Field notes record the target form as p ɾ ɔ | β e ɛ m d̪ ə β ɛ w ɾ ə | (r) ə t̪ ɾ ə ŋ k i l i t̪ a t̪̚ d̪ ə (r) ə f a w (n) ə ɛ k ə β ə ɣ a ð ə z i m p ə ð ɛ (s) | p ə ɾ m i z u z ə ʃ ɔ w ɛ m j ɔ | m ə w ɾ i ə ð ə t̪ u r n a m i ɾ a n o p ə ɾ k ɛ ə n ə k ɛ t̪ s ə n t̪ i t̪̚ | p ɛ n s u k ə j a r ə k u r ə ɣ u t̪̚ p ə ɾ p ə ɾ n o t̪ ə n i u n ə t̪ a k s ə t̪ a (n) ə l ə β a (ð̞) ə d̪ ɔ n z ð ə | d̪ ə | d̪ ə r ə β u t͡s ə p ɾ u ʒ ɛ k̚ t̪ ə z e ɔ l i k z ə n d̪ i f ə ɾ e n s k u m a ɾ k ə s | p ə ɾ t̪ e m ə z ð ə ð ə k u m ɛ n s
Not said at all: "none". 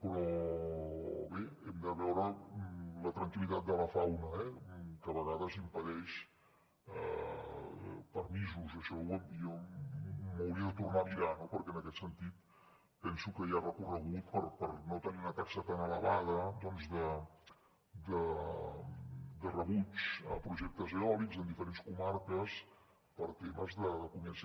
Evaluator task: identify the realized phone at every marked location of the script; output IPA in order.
l, l, n, ʃ, n, ð̞

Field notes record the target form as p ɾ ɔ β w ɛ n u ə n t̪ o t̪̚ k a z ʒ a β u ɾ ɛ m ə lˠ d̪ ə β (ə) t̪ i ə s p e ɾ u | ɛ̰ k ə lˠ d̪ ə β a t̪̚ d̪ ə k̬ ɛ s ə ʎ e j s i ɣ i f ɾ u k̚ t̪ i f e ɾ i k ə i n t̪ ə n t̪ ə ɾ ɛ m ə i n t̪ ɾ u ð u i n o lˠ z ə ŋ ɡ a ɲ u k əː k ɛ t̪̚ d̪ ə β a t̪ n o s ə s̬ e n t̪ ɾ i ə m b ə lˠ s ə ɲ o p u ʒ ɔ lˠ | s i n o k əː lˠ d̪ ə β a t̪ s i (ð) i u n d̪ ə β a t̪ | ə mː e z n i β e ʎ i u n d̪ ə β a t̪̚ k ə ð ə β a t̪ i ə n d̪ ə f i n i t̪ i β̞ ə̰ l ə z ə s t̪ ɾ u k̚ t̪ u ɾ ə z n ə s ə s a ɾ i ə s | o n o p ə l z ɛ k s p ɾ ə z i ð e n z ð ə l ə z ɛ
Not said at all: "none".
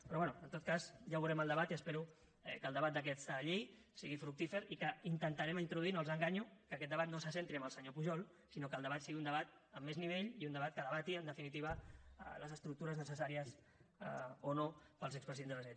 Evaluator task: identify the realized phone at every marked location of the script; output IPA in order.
a, ɣ

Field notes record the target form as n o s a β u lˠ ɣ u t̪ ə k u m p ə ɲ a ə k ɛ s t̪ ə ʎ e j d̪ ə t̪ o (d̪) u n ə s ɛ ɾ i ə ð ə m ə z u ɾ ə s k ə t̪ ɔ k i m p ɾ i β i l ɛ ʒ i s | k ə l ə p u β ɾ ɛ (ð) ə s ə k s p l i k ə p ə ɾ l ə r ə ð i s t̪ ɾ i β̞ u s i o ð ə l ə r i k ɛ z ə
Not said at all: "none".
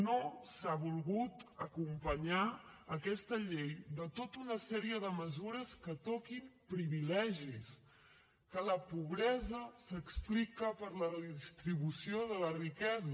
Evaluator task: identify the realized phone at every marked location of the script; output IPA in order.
t̪, z

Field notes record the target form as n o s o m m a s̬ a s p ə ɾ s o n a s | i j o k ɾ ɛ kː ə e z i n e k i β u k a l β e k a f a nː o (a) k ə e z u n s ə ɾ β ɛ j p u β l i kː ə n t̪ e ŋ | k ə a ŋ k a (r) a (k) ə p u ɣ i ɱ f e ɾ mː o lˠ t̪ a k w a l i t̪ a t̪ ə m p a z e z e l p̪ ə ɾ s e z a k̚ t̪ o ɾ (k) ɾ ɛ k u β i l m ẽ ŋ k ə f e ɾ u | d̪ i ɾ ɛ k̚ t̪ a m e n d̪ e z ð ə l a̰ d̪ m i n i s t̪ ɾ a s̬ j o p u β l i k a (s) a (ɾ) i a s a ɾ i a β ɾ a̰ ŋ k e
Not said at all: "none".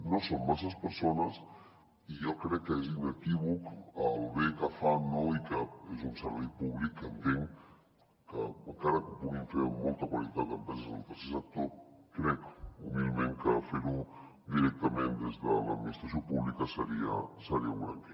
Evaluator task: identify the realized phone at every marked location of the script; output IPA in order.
i, ɾ, k, k, s, ɾ

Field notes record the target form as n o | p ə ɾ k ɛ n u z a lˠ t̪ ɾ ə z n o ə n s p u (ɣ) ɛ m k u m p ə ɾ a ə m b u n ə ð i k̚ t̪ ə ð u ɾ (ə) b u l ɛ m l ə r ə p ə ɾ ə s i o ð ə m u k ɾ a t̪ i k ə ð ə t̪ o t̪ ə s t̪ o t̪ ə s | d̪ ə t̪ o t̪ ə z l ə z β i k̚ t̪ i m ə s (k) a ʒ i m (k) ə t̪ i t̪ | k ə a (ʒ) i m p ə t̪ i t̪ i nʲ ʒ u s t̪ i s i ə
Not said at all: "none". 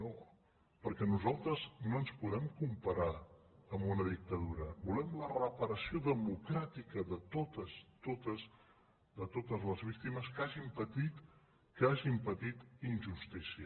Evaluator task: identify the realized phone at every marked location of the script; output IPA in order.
ð, ə, k, p, ʒ

